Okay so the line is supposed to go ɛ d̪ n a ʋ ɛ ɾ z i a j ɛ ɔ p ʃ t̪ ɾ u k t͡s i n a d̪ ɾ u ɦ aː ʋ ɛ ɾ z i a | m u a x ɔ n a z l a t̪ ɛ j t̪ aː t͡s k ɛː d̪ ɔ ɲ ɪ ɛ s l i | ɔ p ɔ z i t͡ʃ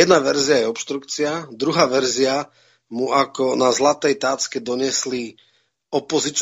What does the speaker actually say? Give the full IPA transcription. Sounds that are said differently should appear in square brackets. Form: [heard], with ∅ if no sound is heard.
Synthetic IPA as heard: ɛ d̪ n a ʋ ɛ ɾ z i a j ɛ ɔ p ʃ t̪ ɾ u k t͡s i [∅] a d̪ ɾ u ɦ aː ʋ ɛ ɾ z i a | m u a [k] ɔ n a z l a t̪ ɛ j t̪ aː t͡s k [ɛ] d̪ ɔ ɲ ɪ ɛ s l i | ɔ p ɔ z i t͡ʃ